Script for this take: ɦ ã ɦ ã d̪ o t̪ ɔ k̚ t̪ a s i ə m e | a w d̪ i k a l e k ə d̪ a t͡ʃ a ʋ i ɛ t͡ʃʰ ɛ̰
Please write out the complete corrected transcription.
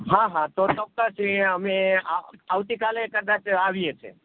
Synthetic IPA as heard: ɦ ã ɦ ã t̪ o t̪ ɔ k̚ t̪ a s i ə m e | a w t̪ i k a l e k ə d̪ a t͡ʃ a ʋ i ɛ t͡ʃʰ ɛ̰